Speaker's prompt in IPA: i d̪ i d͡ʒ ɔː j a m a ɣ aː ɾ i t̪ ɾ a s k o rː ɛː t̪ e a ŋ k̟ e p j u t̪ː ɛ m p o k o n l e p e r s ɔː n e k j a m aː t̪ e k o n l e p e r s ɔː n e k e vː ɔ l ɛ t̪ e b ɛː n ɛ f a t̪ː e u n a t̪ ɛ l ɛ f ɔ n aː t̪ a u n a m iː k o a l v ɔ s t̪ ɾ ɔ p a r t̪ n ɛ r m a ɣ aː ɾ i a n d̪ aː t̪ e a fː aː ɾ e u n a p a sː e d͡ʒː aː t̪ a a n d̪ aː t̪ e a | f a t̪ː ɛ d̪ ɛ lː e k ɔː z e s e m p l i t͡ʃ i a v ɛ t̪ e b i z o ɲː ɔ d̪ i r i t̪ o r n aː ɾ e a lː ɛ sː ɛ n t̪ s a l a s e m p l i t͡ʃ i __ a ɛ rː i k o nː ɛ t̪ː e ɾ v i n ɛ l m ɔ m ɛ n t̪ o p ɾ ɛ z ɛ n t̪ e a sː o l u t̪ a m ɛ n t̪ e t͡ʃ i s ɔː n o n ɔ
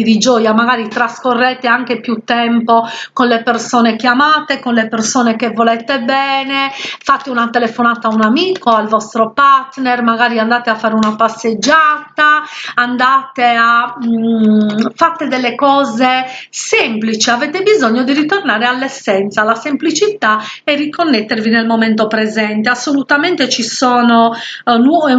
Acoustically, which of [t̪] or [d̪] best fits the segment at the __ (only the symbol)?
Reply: t̪